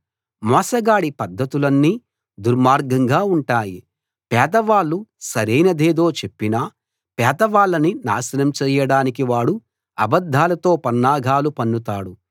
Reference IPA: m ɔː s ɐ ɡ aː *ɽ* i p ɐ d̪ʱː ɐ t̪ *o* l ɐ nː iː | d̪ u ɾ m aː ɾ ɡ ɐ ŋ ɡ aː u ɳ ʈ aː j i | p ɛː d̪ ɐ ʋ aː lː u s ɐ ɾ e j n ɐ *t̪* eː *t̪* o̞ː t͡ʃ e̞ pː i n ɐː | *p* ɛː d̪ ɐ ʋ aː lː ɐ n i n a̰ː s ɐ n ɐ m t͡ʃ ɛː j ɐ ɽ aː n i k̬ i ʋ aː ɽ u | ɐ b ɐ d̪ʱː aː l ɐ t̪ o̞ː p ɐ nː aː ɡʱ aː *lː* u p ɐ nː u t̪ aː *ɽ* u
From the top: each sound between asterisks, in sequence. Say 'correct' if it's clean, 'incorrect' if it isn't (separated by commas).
correct, incorrect, incorrect, incorrect, correct, incorrect, correct